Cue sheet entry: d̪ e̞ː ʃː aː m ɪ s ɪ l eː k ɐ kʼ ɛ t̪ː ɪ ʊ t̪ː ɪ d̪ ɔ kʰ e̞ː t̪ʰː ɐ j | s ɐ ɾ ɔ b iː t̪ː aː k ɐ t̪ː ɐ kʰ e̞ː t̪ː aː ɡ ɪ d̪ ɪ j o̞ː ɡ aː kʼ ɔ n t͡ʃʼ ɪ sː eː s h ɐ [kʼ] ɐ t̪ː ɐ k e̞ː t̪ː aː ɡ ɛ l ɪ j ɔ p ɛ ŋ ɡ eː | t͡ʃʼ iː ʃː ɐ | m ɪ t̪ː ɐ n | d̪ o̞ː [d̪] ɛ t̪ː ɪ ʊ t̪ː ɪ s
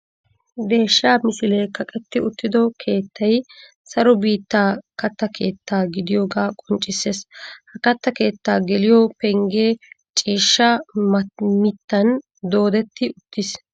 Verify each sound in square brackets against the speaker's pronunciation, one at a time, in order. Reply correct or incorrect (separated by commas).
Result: incorrect, correct